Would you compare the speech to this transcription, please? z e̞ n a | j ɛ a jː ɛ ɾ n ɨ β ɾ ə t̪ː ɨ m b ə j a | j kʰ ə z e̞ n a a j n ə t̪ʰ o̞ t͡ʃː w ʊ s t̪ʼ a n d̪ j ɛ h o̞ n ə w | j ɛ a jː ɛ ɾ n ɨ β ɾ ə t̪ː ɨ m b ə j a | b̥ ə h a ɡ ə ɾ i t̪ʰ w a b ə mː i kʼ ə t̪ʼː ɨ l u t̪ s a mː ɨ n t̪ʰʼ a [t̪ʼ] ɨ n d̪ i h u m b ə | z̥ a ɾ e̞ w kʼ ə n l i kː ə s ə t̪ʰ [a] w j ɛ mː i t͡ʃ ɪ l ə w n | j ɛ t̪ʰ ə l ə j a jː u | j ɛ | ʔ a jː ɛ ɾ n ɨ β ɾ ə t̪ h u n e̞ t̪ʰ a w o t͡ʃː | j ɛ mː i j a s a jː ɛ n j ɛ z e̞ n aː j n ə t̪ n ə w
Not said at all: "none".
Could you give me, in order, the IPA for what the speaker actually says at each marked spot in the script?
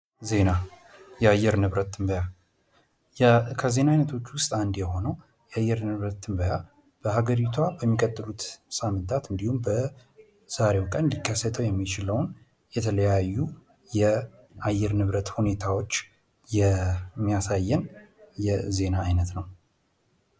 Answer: t̪, ə

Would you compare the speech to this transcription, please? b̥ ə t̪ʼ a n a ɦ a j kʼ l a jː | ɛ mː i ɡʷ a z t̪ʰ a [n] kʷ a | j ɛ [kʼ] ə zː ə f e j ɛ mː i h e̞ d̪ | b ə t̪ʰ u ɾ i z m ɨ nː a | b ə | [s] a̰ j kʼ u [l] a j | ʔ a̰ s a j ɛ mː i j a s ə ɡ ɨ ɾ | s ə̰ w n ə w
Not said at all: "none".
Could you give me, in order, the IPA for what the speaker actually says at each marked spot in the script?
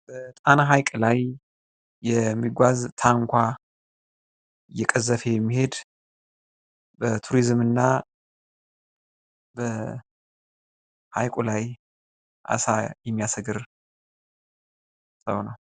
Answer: ŋ, kʼ, h, l

